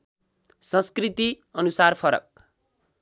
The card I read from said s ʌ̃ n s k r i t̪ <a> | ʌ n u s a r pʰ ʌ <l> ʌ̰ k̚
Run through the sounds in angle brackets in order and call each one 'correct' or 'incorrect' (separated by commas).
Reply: incorrect, incorrect